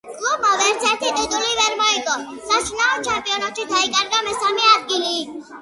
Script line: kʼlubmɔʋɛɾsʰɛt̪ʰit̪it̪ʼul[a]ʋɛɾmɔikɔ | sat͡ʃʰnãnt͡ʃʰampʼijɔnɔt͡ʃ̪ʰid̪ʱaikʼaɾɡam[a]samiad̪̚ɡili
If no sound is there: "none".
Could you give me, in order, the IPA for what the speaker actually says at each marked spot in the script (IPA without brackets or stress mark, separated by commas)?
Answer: i, ɛ